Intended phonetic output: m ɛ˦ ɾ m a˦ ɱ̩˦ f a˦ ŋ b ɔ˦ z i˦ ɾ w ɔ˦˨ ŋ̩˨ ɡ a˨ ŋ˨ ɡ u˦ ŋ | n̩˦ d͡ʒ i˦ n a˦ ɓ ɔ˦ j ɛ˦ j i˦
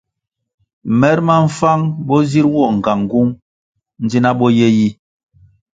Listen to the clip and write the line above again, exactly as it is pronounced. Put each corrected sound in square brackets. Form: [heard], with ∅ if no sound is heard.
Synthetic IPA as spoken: m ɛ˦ ɾ m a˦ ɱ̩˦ f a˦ ŋ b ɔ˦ z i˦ ɾ w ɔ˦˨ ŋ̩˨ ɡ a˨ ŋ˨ ɡ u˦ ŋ | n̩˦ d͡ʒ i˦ n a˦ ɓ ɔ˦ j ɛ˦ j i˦